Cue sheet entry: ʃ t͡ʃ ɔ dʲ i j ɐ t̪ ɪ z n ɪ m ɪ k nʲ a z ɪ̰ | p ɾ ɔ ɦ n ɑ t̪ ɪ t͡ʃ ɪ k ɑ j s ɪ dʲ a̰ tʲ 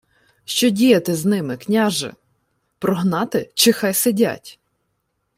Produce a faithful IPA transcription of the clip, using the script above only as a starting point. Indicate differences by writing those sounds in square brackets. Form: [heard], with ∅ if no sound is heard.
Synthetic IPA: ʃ t͡ʃ ɔ dʲ i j ɐ t̪ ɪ z n ɪ m ɪ k nʲ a [ʒ] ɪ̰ | p ɾ ɔ ɦ n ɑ t̪ ɪ t͡ʃ ɪ [x] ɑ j s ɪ dʲ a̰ tʲ